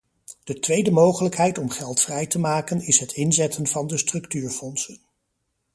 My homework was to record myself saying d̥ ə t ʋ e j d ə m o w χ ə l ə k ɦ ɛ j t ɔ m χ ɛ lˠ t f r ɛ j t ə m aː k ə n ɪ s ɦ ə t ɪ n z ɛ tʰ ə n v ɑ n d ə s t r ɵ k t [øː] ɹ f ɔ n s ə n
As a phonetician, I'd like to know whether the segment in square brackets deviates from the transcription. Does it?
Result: yes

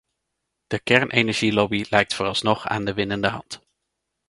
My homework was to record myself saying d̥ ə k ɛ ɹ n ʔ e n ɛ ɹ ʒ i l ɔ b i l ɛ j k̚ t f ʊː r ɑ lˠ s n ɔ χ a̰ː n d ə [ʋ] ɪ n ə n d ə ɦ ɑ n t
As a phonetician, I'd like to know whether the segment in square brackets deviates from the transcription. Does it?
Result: no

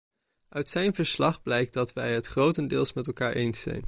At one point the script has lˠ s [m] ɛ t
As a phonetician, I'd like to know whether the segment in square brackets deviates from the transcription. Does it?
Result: no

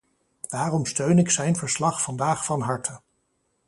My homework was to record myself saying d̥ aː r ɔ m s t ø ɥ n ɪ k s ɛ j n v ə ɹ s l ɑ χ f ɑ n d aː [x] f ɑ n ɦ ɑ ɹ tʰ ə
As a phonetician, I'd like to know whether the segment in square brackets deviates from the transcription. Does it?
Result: yes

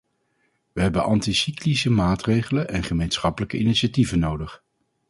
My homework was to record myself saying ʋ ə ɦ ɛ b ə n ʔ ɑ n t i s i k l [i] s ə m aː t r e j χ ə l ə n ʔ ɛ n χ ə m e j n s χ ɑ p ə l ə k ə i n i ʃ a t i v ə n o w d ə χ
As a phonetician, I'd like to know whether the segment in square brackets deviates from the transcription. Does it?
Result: no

